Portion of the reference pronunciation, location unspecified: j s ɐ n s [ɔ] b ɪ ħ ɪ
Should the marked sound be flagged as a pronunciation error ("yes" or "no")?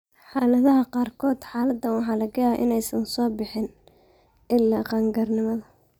yes